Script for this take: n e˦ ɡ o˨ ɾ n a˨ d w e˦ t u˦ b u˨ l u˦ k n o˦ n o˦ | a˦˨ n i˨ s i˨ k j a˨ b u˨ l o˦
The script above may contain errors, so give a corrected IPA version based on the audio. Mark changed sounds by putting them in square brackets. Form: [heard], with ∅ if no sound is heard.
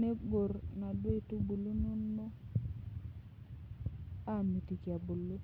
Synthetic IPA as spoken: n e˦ ɡ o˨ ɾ n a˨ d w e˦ t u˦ b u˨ l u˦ [∅] n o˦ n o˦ | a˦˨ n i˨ [t] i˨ k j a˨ b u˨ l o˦